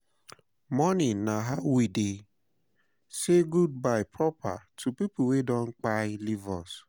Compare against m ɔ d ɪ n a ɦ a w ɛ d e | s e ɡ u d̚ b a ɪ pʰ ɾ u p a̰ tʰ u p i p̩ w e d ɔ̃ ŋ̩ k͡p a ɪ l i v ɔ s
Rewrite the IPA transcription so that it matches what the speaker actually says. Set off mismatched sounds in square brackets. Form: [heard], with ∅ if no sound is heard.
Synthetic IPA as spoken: m ɔ [n] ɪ n a ɦ a w [i] d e | s e ɡ u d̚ b a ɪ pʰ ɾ [ɔ] p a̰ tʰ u p i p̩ w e d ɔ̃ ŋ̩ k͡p a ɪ l i v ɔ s